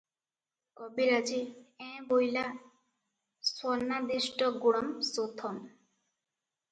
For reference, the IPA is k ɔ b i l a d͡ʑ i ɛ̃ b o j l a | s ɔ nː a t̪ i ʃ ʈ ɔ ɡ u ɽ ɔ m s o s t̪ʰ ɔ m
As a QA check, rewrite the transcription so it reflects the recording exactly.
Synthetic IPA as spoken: k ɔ b i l a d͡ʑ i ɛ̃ b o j l a | s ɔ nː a d̪ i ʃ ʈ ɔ ɡ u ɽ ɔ m s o t̪ʰ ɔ m